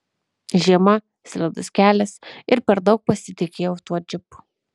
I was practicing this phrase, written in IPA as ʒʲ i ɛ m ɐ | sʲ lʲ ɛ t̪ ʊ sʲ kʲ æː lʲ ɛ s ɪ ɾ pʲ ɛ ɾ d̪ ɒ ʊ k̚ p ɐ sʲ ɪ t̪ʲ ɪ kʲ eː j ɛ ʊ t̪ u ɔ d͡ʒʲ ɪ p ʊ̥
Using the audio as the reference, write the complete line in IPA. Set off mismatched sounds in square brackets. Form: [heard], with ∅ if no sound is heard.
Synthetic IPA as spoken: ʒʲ i ɛ m ɐ | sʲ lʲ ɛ [d̪] ʊ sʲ kʲ æː lʲ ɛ s ɪ ɾ pʲ ɛ ɾ d̪ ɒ ʊ k̚ p ɐ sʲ ɪ t̪ʲ ɪ kʲ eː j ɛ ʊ t̪ u ɔ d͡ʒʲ ɪ p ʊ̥